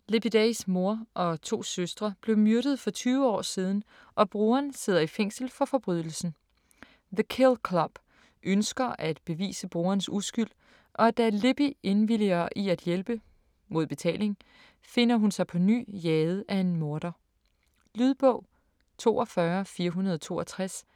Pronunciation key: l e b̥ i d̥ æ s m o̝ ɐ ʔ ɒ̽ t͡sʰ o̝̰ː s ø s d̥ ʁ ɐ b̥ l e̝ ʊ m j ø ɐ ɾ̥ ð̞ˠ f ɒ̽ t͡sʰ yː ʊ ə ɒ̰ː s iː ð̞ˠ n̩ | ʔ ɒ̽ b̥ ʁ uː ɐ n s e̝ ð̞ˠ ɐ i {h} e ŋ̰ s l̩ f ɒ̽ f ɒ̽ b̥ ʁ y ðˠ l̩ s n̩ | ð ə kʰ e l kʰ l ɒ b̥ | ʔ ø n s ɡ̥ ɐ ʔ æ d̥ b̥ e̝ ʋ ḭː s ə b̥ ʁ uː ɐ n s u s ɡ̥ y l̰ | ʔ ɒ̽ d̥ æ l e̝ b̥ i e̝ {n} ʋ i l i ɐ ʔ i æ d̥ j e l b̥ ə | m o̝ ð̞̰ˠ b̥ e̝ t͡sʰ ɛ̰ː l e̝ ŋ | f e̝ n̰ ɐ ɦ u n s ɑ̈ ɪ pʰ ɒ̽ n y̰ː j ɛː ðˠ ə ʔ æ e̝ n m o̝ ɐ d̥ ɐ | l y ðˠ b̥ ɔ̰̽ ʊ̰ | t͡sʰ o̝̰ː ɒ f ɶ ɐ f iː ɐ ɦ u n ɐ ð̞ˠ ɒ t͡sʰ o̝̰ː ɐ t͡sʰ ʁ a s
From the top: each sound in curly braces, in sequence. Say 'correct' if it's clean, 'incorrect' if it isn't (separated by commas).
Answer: incorrect, correct